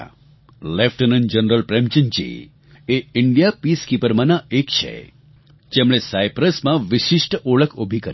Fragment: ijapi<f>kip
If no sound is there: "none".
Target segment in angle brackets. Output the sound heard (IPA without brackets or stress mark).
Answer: s